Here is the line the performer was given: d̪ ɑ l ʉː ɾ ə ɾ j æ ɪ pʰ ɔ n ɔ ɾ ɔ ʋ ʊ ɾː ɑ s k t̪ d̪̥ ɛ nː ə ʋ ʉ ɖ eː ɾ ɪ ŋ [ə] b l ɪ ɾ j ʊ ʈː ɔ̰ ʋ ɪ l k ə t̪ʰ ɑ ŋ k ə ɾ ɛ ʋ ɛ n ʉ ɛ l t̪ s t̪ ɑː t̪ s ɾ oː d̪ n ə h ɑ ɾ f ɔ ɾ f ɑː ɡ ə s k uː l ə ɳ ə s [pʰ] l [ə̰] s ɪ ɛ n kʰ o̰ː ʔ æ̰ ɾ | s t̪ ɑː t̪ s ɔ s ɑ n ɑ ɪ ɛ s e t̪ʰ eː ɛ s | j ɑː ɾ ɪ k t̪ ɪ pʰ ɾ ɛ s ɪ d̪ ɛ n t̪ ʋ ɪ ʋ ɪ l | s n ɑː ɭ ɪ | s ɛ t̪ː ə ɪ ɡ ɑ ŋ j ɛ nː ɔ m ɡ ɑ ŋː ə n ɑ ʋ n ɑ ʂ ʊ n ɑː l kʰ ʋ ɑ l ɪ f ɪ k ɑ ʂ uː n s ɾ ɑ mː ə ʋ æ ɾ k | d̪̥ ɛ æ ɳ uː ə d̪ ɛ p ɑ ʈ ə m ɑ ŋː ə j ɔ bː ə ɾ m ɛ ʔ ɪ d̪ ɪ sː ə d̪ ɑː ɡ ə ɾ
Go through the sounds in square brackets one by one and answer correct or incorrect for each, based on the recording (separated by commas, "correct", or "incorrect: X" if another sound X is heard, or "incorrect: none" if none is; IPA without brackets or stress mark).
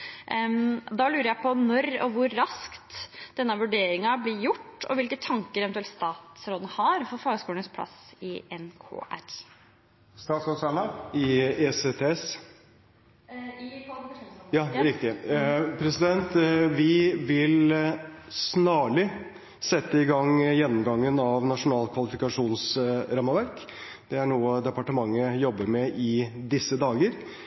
incorrect: ɑ, correct, incorrect: ɑ̰